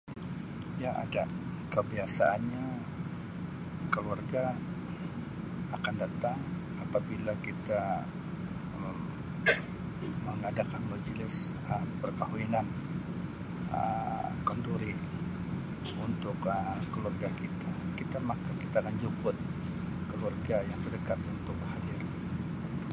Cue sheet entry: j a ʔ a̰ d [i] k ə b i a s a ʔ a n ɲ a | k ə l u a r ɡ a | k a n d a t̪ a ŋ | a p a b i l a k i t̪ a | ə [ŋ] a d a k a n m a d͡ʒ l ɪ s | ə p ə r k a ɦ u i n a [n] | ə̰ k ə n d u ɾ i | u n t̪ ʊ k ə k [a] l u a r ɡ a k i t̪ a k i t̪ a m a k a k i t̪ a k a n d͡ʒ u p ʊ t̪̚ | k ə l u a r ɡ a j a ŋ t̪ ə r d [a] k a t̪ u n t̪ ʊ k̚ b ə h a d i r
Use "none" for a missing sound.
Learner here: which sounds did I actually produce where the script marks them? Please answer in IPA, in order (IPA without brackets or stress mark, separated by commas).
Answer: a, ŋ, n, ə, ə